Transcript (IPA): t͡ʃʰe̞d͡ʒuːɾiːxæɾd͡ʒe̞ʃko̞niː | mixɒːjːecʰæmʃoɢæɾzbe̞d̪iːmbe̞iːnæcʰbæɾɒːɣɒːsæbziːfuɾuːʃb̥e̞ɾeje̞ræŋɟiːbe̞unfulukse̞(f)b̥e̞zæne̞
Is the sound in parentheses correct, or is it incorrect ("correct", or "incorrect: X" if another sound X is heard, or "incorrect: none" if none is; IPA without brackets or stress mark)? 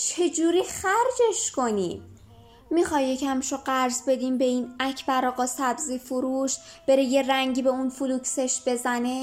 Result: incorrect: ʃ